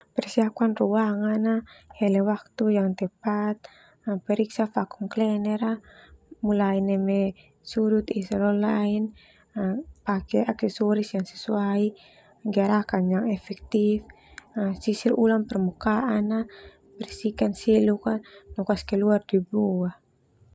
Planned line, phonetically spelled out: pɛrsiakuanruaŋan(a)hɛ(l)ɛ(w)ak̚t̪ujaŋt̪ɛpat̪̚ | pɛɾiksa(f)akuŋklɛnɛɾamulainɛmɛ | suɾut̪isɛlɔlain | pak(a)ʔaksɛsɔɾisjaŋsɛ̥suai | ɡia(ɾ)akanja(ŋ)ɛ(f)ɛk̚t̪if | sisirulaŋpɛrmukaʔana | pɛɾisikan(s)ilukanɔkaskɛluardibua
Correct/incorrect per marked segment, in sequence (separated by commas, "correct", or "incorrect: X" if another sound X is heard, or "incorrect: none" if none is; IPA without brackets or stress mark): correct, correct, correct, correct, incorrect: ɛ, correct, correct, correct, correct